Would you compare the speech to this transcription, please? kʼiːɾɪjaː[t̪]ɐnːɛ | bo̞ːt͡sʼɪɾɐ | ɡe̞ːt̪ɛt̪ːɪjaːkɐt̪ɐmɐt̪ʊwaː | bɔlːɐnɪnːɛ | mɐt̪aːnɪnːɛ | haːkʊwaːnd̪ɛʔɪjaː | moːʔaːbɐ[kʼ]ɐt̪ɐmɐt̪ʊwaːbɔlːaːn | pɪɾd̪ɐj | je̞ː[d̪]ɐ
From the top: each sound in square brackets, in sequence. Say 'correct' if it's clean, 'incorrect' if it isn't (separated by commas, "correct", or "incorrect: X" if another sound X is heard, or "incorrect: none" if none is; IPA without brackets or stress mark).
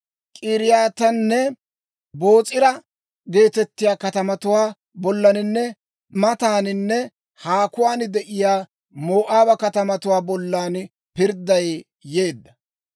correct, incorrect: k, incorrect: d̪ː